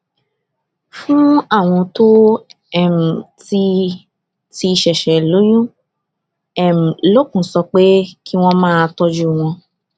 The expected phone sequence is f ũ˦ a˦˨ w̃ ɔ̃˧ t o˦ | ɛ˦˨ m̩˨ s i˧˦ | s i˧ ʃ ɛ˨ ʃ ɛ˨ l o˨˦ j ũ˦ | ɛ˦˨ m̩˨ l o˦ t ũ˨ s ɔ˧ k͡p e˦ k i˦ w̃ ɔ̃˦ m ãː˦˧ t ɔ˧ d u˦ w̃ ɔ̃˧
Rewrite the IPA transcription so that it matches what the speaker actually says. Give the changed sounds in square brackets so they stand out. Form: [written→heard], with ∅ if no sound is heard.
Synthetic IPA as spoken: f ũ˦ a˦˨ w̃ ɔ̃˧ t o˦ | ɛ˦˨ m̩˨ [s→t] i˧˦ | [s→t] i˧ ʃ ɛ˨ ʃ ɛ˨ l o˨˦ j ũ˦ | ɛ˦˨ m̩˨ l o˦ [t→k] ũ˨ s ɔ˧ k͡p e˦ k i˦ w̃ ɔ̃˦ m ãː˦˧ t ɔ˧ [d→d͡ʒ] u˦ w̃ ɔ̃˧